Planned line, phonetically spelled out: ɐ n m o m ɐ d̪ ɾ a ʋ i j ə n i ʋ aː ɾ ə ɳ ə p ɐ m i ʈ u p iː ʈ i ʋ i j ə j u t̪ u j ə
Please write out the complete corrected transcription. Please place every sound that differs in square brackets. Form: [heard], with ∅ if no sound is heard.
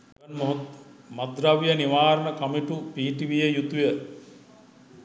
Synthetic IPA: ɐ n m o m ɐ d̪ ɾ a ʋ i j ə n i ʋ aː ɾ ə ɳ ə [k] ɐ m i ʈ u p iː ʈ i ʋ i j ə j u t̪ u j ə